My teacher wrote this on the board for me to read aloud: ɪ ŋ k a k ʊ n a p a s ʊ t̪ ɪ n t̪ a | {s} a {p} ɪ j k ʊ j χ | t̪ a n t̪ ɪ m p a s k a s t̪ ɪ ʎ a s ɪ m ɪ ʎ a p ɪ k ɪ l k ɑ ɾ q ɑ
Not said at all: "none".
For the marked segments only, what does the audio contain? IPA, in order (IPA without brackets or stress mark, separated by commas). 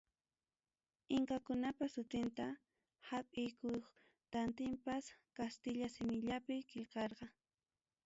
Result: h, pʼ